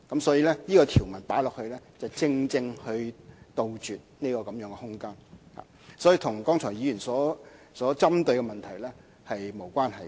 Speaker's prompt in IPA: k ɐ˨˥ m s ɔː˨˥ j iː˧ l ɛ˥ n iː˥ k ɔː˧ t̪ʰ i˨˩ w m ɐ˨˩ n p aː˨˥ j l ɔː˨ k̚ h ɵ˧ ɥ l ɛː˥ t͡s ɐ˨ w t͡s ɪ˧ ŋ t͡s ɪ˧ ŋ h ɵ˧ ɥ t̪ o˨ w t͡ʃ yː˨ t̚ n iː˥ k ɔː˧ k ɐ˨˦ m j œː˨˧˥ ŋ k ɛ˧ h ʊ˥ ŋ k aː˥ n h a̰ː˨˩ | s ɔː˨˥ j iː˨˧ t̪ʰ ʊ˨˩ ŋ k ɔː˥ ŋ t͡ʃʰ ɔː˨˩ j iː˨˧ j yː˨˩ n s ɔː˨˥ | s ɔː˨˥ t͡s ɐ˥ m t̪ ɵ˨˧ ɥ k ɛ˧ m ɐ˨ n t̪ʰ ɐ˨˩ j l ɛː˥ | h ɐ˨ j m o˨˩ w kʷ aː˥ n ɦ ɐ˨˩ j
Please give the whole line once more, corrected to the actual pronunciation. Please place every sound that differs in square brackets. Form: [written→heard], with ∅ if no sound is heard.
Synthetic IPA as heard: k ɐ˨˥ m s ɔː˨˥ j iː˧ l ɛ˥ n iː˥ k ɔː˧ t̪ʰ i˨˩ w m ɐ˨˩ n p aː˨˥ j l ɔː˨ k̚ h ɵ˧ ɥ l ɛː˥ t͡s ɐ˨ w t͡s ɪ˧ ŋ t͡s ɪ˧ ŋ h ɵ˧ ɥ t̪ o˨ w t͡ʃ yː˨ t̚ n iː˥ k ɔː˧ k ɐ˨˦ m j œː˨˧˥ ŋ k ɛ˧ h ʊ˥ ŋ k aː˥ n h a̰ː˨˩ | s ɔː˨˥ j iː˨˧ t̪ʰ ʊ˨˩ ŋ k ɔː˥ ŋ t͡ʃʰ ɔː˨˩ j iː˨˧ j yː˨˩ n s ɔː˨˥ | s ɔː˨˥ t͡s ɐ˥ m t̪ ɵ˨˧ ɥ k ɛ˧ m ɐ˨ n t̪ʰ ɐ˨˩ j l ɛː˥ | h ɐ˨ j m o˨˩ w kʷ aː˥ n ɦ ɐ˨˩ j